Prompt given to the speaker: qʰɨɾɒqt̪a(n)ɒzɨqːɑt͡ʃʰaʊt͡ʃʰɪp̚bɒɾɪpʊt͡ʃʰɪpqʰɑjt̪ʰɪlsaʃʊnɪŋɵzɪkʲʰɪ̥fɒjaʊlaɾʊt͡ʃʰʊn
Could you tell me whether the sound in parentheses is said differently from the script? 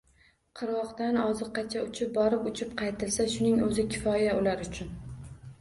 no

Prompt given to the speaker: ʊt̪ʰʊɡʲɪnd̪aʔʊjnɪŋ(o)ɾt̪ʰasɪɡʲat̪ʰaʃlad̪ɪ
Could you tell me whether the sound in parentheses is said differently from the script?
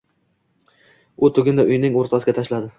no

